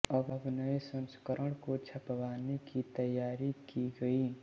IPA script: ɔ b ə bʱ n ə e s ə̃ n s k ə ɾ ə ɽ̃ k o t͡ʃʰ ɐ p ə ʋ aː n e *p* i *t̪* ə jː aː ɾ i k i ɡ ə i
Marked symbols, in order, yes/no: no, yes

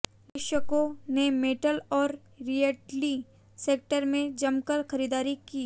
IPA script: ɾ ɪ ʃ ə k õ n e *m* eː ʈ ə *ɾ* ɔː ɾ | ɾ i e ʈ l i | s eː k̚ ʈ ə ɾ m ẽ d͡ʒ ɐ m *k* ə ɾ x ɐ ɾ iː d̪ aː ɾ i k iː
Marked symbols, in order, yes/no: yes, no, yes

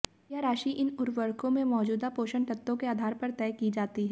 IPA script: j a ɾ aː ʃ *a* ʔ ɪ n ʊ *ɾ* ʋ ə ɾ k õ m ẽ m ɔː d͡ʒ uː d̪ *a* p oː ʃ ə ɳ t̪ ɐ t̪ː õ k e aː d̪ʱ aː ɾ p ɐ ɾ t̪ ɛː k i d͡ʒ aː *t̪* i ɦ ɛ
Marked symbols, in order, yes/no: no, yes, yes, yes

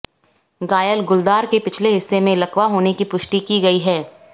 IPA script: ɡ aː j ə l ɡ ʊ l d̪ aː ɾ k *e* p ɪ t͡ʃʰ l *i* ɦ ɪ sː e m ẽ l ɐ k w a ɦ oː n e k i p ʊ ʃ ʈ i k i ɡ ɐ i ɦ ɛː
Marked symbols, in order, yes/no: yes, no

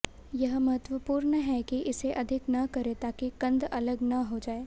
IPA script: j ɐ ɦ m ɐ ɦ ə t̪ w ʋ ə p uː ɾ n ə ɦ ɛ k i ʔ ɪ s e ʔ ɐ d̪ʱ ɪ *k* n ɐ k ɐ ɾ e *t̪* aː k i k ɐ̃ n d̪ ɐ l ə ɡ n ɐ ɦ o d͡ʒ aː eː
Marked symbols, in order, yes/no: yes, yes

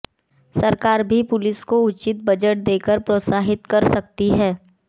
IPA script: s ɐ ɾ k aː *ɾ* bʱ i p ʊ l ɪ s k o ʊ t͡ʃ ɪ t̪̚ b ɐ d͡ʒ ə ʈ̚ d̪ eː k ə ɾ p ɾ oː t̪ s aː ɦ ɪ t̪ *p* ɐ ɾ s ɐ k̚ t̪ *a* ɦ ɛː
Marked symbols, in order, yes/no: yes, no, no

